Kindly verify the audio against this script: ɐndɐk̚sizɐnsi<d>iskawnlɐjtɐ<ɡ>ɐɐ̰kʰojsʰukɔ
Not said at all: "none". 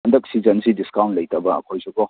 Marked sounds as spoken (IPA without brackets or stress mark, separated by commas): d, b